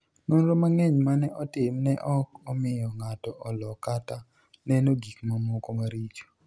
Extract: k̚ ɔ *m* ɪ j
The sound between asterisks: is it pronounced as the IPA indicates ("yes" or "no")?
yes